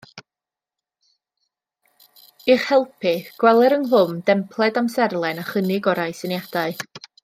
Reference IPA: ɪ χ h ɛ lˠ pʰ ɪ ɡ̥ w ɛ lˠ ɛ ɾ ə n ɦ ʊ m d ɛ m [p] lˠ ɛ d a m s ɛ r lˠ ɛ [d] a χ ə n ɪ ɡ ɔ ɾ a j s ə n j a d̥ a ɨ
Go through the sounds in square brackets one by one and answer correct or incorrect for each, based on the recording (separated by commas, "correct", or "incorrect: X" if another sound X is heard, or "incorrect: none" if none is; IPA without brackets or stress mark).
incorrect: pʰ, incorrect: n